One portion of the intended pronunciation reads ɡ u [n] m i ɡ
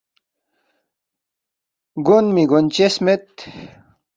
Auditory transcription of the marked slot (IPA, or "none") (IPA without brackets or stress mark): n